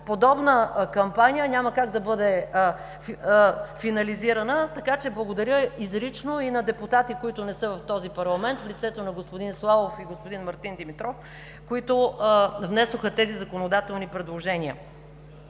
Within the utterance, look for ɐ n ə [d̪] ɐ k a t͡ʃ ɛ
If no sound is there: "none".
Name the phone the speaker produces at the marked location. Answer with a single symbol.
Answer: t̪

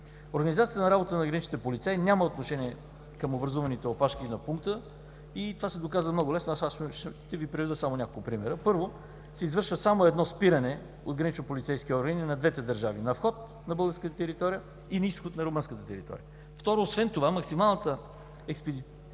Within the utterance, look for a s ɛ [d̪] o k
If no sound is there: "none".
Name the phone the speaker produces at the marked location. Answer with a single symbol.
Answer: d̪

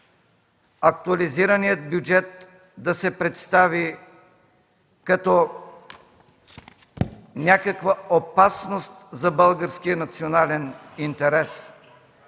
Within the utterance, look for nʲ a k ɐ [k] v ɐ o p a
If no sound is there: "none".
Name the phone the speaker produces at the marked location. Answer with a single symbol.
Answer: k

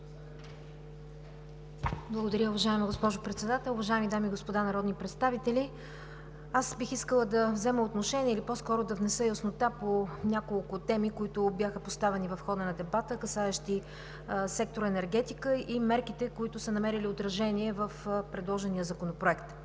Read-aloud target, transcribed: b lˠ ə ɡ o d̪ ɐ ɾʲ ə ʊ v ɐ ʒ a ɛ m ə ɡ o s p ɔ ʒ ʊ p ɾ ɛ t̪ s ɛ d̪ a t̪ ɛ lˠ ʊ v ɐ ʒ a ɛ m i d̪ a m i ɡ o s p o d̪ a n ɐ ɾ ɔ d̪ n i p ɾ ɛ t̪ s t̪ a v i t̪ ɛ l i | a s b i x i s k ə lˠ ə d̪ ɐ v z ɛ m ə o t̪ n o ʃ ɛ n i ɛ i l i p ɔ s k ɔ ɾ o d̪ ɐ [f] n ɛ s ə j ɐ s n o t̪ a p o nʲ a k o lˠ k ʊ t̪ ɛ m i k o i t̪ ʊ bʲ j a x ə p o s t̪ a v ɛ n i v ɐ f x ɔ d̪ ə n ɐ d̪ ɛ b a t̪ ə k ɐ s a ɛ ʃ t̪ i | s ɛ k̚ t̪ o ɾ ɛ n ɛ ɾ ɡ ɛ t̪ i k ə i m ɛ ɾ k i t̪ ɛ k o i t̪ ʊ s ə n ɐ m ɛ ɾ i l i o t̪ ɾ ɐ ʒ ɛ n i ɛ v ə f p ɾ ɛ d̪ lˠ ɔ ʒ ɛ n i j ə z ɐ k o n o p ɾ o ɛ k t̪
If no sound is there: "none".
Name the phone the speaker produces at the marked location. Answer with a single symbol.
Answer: v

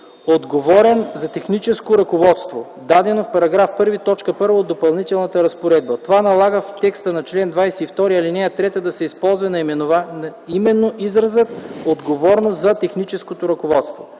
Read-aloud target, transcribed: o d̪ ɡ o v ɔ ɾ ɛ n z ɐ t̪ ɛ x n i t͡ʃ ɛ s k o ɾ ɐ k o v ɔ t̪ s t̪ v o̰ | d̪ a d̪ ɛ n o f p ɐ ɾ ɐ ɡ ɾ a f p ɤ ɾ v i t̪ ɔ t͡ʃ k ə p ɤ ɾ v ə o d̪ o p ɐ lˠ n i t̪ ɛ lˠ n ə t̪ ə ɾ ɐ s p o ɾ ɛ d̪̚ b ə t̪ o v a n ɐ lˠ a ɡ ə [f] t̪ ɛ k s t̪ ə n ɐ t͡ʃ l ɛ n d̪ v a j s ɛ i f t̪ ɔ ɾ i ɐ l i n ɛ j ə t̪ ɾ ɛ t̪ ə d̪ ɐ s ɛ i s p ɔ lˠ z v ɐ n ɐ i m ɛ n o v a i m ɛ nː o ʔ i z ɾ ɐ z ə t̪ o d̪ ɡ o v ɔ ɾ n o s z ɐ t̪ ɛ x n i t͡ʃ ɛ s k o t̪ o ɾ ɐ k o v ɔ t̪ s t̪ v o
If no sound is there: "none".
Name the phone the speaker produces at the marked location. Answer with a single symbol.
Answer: f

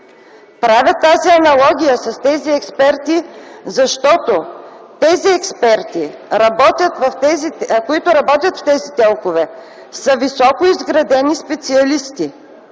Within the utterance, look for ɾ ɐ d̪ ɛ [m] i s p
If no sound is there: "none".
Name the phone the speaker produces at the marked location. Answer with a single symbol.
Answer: n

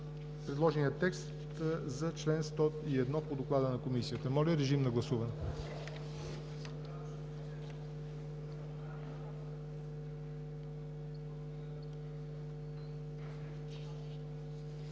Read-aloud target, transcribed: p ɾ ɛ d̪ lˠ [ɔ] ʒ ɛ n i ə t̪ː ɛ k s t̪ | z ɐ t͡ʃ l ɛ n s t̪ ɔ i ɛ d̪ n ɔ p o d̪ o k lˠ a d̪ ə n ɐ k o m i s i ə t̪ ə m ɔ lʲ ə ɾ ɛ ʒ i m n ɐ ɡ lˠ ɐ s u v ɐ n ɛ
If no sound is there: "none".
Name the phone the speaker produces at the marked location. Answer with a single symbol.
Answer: ɔ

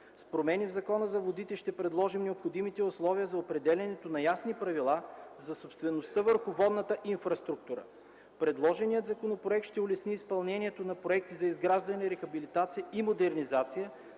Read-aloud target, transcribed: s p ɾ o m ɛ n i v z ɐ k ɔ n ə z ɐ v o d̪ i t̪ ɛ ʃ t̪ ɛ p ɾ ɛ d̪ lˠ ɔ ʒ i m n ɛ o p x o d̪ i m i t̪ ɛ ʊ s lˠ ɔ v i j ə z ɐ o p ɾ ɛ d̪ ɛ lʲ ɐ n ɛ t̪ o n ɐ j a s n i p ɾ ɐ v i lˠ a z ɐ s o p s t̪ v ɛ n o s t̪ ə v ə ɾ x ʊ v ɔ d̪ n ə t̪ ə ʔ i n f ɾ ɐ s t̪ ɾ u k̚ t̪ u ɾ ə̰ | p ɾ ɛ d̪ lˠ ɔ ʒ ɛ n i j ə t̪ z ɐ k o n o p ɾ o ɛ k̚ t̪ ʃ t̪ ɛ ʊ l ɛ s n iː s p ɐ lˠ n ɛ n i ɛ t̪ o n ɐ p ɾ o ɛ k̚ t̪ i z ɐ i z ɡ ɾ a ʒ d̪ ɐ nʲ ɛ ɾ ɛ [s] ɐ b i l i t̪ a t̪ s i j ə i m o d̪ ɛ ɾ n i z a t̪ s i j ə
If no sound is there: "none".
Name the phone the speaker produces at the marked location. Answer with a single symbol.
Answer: x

